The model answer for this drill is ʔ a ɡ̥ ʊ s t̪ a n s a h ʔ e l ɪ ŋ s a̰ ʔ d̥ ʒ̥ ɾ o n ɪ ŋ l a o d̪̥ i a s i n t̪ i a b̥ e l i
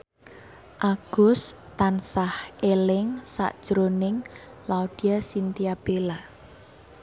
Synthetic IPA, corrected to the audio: ʔ a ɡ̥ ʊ s t̪ a n s a h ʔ e l ɪ ŋ s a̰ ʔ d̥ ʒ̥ ɾ o n ɪ ŋ l a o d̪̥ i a s i n t̪ i a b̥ e l a